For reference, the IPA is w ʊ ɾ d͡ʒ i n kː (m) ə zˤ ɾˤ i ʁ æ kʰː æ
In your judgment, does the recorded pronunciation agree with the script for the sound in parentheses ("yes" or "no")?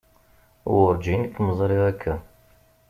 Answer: yes